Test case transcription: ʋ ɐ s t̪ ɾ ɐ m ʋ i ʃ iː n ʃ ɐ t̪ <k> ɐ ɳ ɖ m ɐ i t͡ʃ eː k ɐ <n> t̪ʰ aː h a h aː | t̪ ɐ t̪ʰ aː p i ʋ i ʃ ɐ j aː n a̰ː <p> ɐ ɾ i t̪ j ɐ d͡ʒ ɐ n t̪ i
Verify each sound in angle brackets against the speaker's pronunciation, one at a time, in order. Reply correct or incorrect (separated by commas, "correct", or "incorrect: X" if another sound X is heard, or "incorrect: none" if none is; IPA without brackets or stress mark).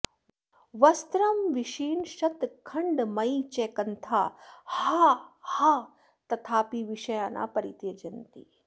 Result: incorrect: kʰ, correct, correct